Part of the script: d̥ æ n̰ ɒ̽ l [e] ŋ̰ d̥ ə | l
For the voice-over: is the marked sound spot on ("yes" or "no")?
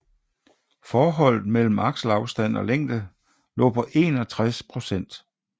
yes